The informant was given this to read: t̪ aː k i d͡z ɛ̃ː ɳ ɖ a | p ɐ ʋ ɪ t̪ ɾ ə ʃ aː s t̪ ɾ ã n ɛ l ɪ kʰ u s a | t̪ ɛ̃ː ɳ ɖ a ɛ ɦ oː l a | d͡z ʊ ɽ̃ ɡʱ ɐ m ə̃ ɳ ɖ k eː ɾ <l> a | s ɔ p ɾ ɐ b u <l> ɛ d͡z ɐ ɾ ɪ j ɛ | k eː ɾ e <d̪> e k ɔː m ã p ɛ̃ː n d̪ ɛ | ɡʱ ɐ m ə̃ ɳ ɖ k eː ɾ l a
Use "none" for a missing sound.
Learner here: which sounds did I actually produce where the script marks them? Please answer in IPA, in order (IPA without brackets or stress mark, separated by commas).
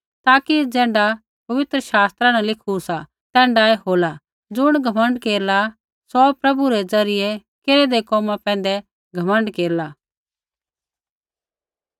l, ɾ, d̪